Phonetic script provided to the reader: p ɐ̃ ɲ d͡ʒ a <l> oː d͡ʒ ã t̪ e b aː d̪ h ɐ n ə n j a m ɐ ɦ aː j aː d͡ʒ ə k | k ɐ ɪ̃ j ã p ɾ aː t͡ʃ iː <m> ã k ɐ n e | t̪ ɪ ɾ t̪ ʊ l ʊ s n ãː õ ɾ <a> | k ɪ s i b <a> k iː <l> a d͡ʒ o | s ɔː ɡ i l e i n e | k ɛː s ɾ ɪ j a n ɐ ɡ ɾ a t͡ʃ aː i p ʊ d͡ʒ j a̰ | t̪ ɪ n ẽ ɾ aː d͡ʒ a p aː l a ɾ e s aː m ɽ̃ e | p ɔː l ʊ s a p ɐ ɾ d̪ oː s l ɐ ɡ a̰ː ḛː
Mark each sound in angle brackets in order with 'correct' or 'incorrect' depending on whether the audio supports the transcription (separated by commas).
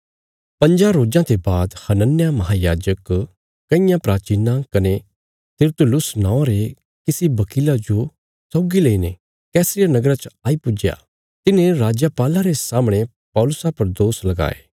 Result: incorrect, incorrect, incorrect, incorrect, correct